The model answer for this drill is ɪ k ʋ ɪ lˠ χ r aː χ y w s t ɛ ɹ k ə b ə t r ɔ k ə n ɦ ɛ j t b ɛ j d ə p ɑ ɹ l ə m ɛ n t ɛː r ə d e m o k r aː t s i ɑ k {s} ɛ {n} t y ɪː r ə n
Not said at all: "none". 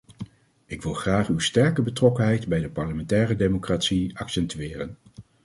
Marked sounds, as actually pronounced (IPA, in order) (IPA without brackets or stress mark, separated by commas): s, n